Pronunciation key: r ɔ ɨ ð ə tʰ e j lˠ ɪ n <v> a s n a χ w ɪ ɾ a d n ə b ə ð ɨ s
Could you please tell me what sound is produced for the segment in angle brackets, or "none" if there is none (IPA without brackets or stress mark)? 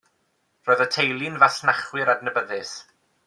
v